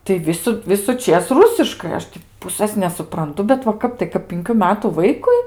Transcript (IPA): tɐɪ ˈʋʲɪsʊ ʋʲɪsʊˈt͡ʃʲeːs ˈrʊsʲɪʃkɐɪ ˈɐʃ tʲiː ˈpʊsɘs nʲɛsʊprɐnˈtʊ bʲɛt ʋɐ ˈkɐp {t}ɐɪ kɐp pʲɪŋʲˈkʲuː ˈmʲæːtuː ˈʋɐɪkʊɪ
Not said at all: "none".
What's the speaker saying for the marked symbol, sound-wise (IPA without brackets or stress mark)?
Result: t